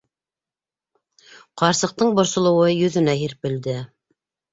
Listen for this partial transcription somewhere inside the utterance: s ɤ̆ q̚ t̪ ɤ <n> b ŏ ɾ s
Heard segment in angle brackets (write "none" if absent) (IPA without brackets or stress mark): ɴ